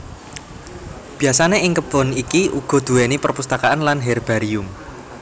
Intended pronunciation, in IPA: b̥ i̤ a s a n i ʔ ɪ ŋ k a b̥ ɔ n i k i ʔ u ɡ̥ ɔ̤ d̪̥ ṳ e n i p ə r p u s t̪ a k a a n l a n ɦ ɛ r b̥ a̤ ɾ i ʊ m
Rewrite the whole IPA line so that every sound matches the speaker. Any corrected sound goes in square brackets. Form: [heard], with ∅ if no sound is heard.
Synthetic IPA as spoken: b̥ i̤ a s a n [e] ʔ ɪ ŋ k [ə] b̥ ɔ n i k i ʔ u ɡ̥ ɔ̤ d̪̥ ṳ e n i p ə r p u s t̪ a k a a n l a n ɦ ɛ r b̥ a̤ ɾ i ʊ m